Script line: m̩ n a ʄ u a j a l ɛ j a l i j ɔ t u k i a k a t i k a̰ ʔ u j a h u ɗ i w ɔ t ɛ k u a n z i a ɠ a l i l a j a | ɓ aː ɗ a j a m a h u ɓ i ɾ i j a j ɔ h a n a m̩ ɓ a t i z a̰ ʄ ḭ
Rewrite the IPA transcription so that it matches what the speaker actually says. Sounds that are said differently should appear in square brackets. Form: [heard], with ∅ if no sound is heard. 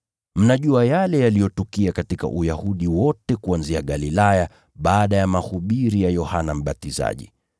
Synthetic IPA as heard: m̩ n a ʄ u a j a l ɛ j a l i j ɔ t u k i a k a t i k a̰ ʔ u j a h u ɗ i w ɔ t ɛ k u a n z i a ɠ a l i l a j a | ɓ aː ɗ a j a m a h u ɓ i ɾ i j a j ɔ h a n a m̩ ɓ a t i z a̰ ʄ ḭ